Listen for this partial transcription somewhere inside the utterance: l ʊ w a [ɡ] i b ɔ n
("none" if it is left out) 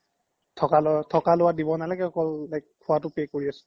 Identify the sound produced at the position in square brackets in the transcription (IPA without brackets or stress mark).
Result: d